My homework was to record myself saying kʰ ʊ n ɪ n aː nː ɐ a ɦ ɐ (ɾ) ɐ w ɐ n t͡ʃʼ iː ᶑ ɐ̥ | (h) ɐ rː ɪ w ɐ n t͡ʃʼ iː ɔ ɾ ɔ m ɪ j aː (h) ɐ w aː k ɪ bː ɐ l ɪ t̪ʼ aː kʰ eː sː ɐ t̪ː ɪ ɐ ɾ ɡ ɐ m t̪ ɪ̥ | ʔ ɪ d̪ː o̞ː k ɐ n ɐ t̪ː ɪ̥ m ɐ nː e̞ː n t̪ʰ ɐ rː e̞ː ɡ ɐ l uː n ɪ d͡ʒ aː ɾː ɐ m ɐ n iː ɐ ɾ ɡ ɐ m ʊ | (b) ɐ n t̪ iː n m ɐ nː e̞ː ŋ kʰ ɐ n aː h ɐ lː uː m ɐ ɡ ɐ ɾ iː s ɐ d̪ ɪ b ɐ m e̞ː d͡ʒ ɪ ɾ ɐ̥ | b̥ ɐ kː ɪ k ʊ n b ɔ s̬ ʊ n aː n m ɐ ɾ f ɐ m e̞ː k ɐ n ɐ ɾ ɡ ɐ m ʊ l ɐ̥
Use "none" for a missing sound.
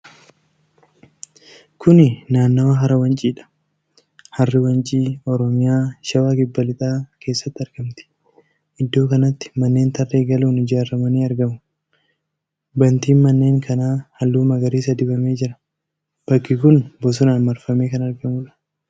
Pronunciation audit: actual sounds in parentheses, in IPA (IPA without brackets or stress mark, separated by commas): ɾ, h, ʃ, b